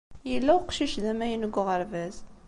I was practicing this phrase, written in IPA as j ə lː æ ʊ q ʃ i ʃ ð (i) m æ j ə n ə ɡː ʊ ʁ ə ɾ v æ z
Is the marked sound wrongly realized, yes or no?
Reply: yes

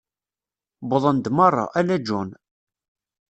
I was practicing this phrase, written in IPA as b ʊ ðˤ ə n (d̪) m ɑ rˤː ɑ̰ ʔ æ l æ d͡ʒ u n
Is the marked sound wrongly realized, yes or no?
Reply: no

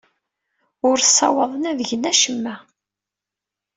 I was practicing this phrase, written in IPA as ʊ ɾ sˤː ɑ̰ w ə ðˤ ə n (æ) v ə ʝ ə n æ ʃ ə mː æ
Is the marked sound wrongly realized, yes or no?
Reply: no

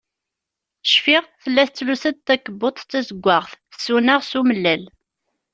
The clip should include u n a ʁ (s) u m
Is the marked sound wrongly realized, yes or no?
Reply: no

